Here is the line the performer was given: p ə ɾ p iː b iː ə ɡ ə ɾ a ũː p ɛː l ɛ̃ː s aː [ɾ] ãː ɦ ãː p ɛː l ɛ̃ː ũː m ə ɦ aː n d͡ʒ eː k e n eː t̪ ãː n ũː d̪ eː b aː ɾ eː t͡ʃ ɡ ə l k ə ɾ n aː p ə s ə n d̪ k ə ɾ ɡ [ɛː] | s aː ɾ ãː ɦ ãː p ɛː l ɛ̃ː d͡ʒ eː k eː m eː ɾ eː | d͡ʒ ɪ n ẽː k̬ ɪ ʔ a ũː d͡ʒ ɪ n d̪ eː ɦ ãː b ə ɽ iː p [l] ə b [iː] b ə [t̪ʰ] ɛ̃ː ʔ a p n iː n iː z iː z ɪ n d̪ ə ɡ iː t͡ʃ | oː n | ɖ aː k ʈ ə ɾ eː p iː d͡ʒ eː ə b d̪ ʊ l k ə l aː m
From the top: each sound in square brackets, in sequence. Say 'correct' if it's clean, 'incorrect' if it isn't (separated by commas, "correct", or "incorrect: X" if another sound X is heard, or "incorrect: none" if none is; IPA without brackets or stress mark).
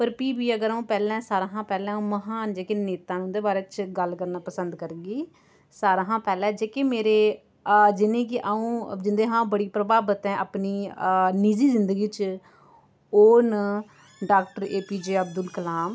correct, incorrect: iː, incorrect: ɾ, incorrect: aː, incorrect: t̪